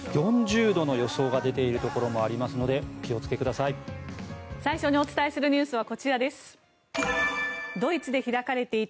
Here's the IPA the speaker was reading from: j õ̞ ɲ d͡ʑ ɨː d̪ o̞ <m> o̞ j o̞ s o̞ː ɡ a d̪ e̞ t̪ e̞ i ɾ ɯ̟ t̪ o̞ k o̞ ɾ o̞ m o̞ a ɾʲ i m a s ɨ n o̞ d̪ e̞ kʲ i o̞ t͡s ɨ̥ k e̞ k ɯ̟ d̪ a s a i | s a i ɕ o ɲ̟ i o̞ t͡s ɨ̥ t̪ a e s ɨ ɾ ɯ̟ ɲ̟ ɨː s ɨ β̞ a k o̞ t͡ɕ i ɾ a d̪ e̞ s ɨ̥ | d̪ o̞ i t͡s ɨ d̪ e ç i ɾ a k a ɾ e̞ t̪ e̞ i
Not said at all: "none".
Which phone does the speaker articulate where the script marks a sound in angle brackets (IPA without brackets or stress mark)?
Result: n